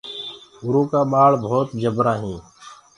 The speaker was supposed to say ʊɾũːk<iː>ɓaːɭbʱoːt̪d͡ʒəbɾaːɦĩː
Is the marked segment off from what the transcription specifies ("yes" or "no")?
yes